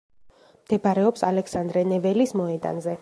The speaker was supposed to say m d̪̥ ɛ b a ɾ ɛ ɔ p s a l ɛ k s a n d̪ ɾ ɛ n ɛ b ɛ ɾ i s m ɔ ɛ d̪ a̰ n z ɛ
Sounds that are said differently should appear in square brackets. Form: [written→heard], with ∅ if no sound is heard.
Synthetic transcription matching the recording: m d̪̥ ɛ b a ɾ ɛ ɔ p s a l ɛ k s a n d̪ ɾ ɛ n ɛ [b→v] ɛ [ɾ→l] i s m ɔ ɛ d̪ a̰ n z ɛ